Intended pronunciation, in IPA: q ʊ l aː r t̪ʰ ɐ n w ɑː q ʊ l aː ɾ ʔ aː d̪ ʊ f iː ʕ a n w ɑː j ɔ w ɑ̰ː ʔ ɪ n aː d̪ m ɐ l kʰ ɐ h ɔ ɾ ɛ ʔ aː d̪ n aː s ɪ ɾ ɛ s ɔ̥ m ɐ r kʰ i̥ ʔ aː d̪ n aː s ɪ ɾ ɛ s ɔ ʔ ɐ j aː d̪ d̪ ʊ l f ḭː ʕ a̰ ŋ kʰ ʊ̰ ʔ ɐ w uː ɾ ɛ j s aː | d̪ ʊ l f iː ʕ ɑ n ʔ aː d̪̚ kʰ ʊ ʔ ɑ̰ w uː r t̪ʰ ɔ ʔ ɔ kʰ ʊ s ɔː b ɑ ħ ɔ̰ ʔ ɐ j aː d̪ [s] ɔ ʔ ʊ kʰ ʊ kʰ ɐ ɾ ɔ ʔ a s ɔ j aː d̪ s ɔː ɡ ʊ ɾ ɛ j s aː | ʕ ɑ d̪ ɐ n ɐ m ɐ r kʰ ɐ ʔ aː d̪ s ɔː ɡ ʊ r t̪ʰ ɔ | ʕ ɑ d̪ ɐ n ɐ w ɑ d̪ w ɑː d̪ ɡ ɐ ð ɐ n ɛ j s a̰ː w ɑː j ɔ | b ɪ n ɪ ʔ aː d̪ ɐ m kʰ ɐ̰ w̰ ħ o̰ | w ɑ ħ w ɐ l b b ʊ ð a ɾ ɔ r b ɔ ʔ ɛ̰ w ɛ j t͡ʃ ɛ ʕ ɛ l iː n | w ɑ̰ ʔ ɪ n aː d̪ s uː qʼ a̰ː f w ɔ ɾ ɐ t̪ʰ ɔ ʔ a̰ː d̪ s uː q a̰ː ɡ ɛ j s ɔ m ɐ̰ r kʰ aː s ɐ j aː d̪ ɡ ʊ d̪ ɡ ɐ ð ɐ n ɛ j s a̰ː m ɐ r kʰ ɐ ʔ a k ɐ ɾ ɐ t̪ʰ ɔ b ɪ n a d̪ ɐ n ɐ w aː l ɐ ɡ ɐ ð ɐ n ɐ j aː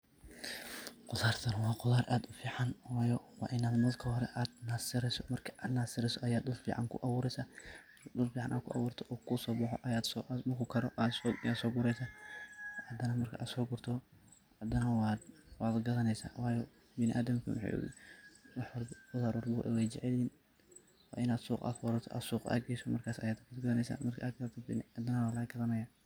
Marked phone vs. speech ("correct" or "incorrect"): correct